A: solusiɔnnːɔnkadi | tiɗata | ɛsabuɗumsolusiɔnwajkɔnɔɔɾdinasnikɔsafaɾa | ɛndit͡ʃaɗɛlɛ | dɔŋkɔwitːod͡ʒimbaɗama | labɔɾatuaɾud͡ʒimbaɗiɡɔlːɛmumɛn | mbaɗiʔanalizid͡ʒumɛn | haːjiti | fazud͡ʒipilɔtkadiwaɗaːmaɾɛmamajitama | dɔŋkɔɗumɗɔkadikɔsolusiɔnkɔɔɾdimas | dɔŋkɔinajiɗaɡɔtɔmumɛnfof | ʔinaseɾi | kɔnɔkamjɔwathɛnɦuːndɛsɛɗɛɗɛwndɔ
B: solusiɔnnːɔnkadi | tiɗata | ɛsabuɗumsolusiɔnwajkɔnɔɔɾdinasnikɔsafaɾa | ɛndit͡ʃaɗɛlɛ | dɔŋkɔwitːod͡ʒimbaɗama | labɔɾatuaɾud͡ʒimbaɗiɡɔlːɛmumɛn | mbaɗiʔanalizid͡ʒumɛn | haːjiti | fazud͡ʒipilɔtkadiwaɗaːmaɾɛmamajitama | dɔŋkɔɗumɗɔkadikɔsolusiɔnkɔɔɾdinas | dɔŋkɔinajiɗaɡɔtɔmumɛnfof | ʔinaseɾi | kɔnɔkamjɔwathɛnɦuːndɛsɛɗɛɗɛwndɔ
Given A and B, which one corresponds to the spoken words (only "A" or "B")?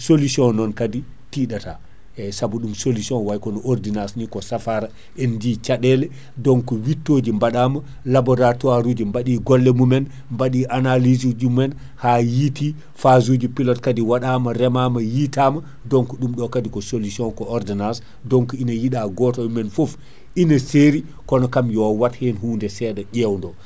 B